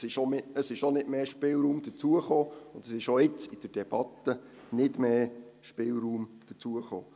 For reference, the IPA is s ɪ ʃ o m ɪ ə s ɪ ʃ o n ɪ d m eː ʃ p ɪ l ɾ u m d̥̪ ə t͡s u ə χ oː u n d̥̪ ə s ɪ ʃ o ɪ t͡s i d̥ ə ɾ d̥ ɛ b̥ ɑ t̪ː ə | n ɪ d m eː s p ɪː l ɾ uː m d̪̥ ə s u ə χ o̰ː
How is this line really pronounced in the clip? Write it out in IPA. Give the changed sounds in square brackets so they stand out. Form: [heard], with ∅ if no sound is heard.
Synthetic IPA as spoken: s ɪ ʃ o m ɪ ə s ɪ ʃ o n ɪ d m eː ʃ p ɪ l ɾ [uː] m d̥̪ ə t͡s u ə χ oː [ʊ] n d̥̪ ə s ɪ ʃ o ɪ t͡s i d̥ ə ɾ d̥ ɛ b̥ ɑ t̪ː ə | n ɪ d m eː [ʃ] p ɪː l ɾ uː m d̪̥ ə [t͡s] u ə χ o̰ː